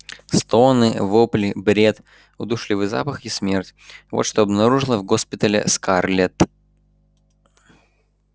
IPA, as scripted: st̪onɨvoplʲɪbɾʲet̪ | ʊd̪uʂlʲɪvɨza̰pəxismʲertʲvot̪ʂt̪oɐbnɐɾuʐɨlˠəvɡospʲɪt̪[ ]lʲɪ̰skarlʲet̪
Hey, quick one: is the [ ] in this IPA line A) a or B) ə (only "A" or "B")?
B